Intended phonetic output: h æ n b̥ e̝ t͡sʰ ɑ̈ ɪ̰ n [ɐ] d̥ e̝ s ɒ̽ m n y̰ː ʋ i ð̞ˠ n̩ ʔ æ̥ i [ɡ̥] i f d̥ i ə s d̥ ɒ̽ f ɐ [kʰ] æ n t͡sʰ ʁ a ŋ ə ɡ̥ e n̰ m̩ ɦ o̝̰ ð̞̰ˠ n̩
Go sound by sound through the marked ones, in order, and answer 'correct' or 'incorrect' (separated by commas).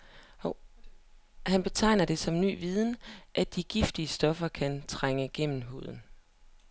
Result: correct, correct, correct